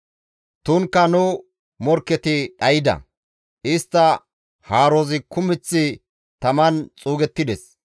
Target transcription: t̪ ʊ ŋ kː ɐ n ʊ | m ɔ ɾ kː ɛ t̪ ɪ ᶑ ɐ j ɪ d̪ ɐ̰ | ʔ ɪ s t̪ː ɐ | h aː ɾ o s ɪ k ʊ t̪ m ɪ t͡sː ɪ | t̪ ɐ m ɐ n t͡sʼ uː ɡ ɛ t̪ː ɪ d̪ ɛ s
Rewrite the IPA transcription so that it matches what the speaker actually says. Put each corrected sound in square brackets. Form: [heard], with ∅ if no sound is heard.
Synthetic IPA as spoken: t̪ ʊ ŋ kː ɐ n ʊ | m ɔ ɾ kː ɛ t̪ ɪ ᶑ ɐ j ɪ d̪ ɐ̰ | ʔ ɪ s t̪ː ɐ | h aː ɾ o [z] ɪ k ʊ [∅] m ɪ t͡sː ɪ | t̪ ɐ m ɐ n t͡sʼ uː ɡ ɛ t̪ː ɪ d̪ ɛ s